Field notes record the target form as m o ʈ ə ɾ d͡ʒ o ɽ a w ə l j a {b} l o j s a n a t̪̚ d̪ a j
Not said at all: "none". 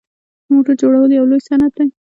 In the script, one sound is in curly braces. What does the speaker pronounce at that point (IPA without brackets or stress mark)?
w